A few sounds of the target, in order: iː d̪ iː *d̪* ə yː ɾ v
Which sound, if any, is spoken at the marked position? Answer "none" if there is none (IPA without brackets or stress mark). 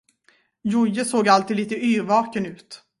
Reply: t̪